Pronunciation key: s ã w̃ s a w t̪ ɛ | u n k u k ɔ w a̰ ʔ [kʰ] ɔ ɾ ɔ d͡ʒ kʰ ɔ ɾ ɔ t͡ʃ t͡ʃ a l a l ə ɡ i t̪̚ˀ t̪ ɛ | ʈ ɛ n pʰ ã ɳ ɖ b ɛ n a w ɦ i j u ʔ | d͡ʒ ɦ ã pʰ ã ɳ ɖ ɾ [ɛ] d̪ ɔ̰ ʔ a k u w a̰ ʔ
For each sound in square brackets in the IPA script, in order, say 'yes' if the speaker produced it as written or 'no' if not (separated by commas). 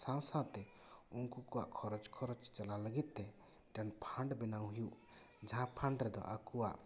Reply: yes, yes